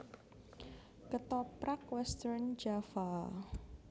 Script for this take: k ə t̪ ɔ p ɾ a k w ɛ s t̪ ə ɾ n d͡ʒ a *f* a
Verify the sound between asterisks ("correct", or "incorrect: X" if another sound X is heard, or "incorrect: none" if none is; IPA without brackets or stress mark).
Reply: correct